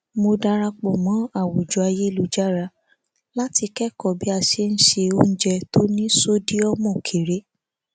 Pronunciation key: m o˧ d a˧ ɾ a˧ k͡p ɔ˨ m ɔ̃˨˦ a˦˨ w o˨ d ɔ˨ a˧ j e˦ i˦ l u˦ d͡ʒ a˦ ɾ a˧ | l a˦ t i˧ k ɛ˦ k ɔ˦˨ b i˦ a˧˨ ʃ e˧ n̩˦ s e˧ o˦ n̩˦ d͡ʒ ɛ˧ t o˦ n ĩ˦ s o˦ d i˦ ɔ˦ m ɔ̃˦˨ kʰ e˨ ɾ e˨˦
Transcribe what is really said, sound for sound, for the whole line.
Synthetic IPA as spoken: m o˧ d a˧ ɾ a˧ k͡p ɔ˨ m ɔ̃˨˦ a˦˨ w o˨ d͡ʒ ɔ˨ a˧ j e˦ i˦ l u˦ d͡ʒ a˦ ɾ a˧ | l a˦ t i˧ k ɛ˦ k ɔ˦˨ b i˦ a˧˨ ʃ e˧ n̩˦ ʃ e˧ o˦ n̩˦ d͡ʒ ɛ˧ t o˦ n ĩ˦ s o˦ d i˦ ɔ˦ m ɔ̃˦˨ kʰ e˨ ɾ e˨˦